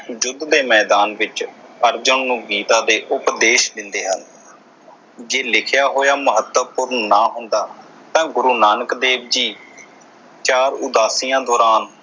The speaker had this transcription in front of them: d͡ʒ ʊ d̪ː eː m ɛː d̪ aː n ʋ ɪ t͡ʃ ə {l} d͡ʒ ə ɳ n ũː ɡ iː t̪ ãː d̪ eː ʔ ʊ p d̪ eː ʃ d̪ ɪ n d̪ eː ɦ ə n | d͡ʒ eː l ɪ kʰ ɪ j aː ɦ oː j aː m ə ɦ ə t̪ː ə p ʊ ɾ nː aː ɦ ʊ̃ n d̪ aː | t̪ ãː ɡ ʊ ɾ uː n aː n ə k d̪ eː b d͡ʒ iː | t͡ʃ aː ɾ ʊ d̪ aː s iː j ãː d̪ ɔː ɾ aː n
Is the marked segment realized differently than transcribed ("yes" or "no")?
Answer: yes